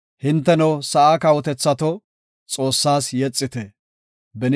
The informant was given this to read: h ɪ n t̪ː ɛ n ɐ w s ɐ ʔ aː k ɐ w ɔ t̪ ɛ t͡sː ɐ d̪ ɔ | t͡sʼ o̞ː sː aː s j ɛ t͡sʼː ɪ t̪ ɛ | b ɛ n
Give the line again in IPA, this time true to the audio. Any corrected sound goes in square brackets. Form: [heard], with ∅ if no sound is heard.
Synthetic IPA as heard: h ɪ n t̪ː ɛ n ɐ w s ɐ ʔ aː k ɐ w ɔ t̪ ɛ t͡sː ɐ [t̪] ɔ | t͡sʼ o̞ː sː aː s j ɛ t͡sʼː ɪ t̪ ɛ | b ɛ n